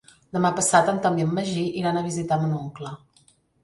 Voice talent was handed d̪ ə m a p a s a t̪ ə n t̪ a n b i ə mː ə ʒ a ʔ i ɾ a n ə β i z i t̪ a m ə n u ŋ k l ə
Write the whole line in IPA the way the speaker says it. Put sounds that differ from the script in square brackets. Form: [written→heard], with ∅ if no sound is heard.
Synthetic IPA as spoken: d̪ ə m a p [a→ə] s a t̪ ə n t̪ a [n→m] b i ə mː ə ʒ [a→i] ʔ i ɾ a n ə β i z i t̪ a m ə n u ŋ k l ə